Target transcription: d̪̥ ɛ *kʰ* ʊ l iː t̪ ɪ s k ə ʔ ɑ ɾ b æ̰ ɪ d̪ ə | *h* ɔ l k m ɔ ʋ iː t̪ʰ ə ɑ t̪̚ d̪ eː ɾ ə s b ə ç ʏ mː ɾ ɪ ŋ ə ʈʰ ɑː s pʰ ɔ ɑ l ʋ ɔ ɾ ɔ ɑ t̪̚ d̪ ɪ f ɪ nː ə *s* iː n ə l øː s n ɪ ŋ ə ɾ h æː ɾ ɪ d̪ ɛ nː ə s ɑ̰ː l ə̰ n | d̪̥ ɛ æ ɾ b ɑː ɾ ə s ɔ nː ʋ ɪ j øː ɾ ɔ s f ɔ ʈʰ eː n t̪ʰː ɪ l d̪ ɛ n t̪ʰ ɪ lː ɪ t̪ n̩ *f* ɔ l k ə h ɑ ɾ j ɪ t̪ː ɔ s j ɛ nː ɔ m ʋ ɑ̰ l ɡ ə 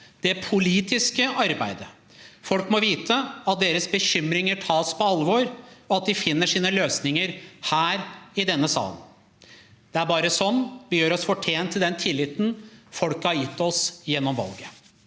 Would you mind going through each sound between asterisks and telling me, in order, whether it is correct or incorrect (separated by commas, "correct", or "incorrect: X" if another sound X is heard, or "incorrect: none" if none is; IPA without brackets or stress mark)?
incorrect: pʰ, incorrect: f, incorrect: ʂ, correct